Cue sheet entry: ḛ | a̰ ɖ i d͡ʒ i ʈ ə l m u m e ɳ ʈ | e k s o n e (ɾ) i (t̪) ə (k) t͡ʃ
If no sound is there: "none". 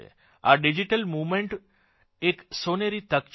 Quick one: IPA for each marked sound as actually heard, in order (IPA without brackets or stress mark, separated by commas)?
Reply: ɾ, t̪, k